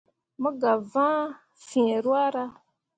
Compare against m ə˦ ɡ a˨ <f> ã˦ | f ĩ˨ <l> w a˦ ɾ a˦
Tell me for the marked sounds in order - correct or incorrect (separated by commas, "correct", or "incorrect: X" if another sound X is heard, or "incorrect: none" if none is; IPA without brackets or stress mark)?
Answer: incorrect: v, incorrect: ɾ